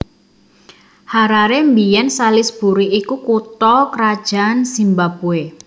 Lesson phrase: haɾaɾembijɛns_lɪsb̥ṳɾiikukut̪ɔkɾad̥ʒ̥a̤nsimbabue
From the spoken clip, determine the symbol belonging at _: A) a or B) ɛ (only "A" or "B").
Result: A